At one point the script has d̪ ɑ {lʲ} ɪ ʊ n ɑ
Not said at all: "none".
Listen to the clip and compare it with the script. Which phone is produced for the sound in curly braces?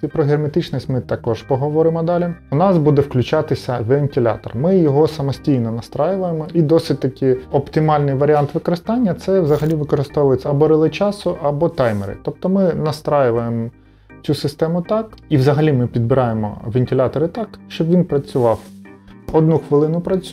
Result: lʲ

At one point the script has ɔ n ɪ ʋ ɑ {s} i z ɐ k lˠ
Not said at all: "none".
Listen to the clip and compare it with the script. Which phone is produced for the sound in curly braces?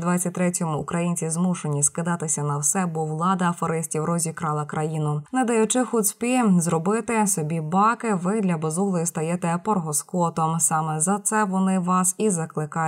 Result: s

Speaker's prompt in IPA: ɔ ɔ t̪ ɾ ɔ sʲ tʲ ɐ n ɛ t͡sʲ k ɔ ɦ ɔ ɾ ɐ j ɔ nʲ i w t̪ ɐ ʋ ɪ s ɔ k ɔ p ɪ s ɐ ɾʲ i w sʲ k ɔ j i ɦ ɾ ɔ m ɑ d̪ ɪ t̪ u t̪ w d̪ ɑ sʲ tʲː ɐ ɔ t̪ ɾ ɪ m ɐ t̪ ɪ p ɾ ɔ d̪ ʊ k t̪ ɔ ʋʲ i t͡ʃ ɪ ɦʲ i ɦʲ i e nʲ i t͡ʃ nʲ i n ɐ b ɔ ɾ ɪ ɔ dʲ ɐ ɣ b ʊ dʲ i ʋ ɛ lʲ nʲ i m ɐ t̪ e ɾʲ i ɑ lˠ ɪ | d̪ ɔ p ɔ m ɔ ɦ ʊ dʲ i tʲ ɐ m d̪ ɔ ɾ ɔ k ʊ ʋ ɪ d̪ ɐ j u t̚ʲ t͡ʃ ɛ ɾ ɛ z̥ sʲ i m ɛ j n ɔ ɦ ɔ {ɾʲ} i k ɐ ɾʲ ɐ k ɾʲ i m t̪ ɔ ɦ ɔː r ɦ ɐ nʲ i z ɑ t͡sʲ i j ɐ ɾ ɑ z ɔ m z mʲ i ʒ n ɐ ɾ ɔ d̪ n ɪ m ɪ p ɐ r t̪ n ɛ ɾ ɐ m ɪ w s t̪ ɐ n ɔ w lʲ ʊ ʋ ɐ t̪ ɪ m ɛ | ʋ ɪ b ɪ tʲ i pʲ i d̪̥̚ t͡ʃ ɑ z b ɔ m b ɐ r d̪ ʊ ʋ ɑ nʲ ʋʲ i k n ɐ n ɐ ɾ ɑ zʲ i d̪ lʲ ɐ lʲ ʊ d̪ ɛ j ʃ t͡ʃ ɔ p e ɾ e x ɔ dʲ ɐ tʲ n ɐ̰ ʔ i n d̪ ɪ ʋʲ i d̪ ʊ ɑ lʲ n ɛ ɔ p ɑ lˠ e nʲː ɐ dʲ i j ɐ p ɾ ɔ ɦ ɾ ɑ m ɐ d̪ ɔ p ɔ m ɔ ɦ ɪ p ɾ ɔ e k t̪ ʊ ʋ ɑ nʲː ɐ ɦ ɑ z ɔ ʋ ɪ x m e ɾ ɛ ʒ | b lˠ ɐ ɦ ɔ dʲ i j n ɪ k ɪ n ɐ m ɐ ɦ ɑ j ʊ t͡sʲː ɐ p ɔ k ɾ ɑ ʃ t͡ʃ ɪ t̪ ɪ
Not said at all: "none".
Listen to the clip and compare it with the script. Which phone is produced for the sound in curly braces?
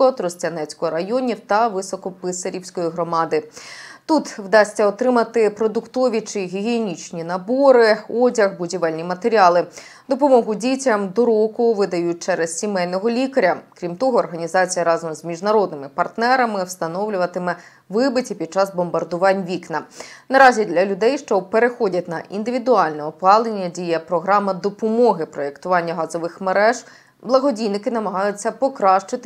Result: lʲ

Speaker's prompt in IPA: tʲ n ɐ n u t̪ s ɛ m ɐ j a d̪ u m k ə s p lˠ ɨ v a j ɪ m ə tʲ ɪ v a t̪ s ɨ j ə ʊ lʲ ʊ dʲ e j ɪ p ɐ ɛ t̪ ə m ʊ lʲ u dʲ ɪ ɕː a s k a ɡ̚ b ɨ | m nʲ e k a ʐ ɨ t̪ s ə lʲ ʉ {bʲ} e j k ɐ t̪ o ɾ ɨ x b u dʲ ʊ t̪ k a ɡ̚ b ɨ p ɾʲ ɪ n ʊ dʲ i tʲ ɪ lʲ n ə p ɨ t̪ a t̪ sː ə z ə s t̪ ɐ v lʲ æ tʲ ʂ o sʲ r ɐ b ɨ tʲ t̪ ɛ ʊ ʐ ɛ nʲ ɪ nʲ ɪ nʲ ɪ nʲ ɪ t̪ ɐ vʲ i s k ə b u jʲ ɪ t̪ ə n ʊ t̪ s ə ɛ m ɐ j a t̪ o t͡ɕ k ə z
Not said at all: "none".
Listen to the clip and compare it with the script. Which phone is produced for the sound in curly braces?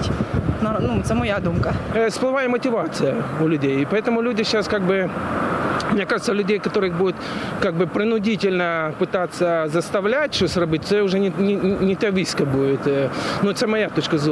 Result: dʲ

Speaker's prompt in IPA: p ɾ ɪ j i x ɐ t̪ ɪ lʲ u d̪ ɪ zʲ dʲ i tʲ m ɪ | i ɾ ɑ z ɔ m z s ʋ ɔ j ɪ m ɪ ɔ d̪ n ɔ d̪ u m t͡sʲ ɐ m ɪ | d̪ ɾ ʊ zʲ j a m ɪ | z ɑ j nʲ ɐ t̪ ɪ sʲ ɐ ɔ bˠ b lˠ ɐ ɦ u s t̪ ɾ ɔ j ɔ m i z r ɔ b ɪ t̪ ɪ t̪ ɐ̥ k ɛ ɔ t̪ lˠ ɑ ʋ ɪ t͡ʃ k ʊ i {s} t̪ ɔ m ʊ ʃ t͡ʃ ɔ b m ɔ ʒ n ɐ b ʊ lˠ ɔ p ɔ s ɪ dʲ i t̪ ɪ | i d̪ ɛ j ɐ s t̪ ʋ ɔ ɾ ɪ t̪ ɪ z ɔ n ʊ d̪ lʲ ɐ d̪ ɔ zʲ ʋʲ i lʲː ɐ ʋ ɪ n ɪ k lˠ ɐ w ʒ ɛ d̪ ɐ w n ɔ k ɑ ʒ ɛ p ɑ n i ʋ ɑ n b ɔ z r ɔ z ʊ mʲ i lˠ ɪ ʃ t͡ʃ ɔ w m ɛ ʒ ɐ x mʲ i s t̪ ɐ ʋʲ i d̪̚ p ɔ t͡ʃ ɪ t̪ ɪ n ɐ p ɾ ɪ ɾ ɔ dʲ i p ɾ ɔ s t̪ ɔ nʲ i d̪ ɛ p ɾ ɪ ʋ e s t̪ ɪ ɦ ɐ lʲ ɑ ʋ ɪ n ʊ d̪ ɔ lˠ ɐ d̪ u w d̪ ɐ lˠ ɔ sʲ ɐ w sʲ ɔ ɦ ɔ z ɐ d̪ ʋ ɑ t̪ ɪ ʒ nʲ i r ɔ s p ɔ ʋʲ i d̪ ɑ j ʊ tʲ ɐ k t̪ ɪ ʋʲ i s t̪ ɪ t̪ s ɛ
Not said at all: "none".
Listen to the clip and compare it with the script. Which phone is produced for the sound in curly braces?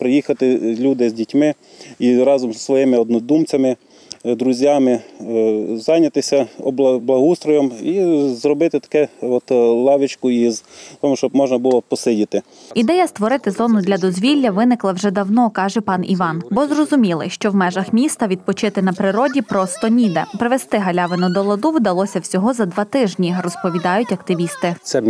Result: z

